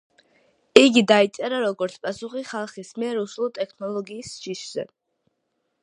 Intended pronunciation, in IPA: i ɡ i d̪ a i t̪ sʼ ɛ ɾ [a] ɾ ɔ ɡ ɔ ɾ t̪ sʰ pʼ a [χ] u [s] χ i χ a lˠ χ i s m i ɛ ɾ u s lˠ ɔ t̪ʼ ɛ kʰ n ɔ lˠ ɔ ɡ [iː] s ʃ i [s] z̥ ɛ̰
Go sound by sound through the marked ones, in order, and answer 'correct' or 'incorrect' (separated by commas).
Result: correct, incorrect, incorrect, correct, incorrect